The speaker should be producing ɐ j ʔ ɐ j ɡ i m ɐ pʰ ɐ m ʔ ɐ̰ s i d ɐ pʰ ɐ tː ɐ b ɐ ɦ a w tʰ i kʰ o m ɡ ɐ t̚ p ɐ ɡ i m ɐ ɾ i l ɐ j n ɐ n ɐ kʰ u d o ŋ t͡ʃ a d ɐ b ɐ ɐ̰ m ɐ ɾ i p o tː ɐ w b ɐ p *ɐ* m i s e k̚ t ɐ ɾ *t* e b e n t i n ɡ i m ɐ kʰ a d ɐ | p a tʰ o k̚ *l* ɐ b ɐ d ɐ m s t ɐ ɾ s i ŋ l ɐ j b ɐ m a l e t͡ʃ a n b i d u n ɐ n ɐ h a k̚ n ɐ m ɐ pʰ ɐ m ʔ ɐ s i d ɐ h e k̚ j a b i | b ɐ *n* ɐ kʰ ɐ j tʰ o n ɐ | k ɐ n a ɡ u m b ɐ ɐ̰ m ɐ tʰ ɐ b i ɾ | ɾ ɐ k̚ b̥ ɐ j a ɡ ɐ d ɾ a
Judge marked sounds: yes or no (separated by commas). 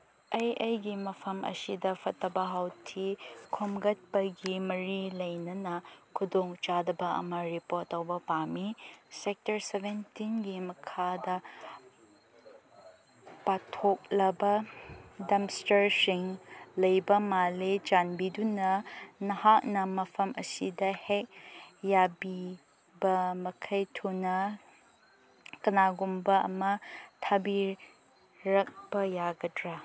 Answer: no, no, yes, no